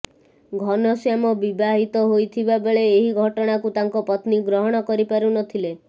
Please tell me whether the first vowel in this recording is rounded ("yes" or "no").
yes